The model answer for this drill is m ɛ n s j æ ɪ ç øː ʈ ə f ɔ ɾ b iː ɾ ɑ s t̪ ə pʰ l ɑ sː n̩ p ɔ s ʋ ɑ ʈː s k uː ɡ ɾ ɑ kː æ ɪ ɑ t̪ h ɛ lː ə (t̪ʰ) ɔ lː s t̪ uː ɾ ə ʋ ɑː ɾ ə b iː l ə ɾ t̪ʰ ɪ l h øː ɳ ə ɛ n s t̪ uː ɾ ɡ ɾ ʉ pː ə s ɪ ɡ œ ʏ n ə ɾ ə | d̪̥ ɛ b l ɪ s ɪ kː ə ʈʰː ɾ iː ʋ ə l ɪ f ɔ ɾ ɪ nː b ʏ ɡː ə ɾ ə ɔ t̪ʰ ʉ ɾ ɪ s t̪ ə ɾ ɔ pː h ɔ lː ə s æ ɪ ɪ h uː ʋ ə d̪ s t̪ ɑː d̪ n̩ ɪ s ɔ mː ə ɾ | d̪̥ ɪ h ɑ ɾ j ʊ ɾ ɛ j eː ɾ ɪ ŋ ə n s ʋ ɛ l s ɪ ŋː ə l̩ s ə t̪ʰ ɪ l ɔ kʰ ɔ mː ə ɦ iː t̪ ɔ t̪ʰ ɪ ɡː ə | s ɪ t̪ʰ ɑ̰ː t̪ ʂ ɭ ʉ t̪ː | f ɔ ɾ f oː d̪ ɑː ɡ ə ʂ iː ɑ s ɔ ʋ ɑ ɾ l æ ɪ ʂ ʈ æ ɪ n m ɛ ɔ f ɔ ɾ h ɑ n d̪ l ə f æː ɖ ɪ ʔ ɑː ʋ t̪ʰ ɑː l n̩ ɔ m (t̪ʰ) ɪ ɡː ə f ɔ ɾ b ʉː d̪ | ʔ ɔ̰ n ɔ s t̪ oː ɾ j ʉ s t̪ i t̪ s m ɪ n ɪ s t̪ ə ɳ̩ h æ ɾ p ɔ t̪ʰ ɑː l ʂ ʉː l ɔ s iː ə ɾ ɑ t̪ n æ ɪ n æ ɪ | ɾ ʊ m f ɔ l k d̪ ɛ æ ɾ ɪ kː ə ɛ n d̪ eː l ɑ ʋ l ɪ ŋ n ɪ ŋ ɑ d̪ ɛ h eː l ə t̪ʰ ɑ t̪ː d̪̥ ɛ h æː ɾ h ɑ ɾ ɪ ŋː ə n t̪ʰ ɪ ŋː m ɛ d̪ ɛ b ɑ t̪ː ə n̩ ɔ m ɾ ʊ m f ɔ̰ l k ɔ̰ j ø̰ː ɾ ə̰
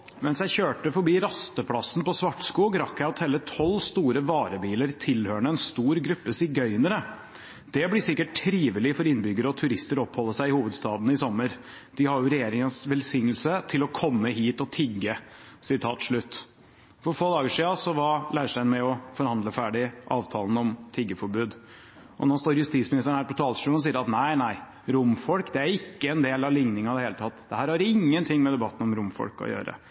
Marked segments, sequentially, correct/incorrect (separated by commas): correct, correct